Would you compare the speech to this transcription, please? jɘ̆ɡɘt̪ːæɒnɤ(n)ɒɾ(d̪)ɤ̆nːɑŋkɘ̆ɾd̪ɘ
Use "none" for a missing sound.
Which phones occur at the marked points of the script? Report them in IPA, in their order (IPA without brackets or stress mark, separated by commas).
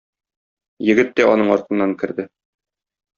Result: ɴ, t̪